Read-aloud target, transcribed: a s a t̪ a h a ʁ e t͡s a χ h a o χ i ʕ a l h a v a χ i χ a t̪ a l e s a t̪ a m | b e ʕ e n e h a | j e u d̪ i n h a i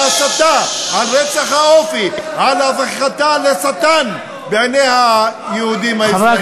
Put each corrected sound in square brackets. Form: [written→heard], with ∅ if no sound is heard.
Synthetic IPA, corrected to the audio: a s a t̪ a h a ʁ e t͡s a χ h a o [χ→f] i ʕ a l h a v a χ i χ a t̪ a l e s a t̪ a [m→n] | b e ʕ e n e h a | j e u d̪ i [n→m] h a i